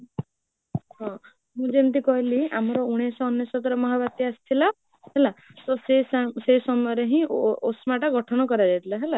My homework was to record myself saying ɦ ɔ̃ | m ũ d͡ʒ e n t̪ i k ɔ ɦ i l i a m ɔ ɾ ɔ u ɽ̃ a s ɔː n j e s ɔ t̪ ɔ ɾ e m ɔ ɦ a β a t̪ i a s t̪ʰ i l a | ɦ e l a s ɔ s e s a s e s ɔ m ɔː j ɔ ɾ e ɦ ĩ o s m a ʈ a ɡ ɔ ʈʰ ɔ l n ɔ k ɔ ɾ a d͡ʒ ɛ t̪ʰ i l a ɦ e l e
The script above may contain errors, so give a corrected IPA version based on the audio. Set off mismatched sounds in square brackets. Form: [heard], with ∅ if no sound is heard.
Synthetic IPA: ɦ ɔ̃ | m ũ d͡ʒ e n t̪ i k ɔ ɦ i l i a m ɔ ɾ ɔ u ɽ̃ [e] s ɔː n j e s ɔ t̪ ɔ ɾ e m ɔ ɦ a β a t̪ i a s t̪ʰ i l a | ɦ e l a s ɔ s e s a s e s ɔ m [ɔ] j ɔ ɾ e ɦ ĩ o s m a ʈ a ɡ ɔ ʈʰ ɔ [∅] n ɔ k ɔ ɾ a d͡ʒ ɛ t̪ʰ i l a ɦ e l [a]

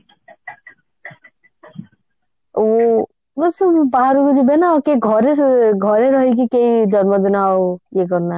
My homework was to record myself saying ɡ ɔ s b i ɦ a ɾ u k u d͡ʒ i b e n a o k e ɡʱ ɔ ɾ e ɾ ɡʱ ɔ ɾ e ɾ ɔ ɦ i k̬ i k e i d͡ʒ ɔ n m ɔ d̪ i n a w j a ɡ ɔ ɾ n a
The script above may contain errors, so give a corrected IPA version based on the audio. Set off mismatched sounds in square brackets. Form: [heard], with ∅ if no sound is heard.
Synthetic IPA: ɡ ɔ s b [a] ɦ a ɾ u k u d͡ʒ i b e n a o k e ɡʱ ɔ ɾ e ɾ ɡʱ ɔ ɾ e ɾ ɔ ɦ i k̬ i k e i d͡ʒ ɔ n m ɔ d̪ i n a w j [e] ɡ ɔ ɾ n a

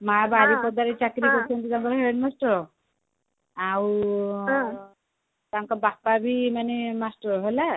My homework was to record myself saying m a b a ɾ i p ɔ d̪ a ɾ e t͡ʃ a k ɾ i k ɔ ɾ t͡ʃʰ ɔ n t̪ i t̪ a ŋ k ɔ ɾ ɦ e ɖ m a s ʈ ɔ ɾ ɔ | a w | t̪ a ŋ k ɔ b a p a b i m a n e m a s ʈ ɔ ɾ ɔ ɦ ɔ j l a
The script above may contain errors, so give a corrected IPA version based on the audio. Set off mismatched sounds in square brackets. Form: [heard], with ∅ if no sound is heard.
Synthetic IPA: m a b a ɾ i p ɔ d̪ a ɾ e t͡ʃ a k ɾ i k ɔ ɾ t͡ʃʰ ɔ n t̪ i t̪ a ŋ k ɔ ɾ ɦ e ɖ m a s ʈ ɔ ɾ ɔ | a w | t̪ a ŋ k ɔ b a p a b i m a n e m a s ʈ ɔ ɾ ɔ ɦ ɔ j l a

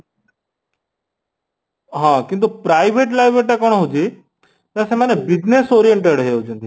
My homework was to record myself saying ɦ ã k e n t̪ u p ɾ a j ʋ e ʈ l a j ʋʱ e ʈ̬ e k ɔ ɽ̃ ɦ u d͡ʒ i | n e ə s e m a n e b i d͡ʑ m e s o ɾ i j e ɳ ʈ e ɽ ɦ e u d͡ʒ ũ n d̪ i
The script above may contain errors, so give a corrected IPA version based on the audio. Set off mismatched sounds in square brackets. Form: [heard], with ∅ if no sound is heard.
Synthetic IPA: ɦ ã k [i] n t̪ u p ɾ a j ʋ e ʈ l a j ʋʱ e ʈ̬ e k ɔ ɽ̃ ɦ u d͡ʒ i | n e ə s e m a n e b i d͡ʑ [n] e s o ɾ i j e ɳ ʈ e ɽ ɦ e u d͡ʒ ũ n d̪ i

